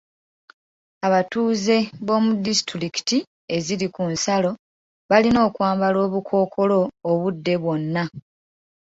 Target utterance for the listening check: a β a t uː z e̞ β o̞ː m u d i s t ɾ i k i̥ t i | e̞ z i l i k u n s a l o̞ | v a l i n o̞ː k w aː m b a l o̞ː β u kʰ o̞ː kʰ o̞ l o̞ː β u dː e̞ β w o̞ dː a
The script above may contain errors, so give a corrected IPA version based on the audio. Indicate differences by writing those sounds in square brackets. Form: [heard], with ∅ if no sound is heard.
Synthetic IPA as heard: a β a t uː z e̞ β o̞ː m u d i s t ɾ i k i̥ t i | e̞ z i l i k u n s a l o̞ | [β] a l i n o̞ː k w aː m b a l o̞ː β u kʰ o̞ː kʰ o̞ l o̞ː β u dː e̞ β w o̞ [nː] a